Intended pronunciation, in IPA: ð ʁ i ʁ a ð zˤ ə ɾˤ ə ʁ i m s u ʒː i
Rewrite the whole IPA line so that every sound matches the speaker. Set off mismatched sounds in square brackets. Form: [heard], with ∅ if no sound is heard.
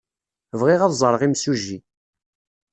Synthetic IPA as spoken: [v] ʁ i ʁ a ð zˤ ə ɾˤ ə ʁ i m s u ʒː i